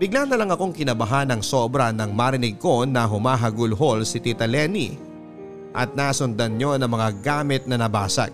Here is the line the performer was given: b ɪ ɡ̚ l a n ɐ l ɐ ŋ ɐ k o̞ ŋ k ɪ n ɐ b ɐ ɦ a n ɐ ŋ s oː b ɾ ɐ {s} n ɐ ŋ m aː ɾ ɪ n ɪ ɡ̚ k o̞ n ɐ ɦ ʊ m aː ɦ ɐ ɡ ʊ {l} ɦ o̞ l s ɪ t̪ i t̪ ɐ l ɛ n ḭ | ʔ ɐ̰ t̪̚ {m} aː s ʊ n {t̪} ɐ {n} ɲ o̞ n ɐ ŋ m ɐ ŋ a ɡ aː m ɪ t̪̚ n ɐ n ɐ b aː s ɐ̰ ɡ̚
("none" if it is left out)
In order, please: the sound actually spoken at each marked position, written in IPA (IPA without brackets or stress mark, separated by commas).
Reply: none, l, n, d̪, n